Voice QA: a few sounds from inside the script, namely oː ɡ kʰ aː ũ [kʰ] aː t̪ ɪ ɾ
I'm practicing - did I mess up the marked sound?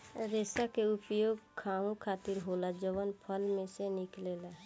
no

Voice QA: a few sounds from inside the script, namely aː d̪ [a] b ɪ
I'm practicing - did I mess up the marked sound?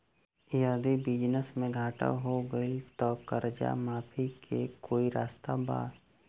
yes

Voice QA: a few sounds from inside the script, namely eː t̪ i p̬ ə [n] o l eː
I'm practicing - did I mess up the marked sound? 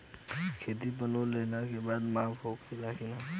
no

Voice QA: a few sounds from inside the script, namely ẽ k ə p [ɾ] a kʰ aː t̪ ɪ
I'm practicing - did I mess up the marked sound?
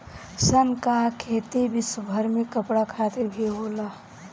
yes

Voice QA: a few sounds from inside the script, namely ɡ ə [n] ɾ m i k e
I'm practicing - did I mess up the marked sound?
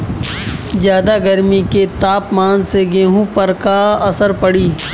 yes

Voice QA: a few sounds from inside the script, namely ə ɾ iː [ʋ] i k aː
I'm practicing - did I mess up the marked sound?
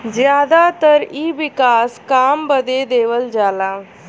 no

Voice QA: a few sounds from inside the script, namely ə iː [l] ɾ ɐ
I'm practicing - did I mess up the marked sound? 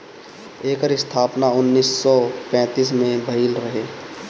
no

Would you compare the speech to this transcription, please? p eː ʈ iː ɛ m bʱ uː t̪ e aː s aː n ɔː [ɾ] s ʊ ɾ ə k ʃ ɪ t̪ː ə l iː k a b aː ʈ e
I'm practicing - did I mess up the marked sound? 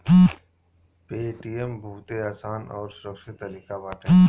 no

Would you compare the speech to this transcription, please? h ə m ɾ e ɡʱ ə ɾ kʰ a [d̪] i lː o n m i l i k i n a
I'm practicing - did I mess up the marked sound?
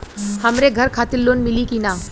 yes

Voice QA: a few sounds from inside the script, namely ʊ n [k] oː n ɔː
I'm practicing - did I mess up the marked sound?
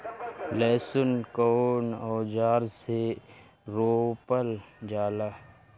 no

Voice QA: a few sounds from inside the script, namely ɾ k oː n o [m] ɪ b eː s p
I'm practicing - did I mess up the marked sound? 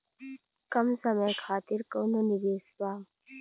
yes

